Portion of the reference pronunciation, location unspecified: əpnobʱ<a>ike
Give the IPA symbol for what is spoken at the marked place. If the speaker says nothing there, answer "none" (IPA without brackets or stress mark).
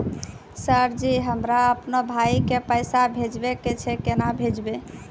a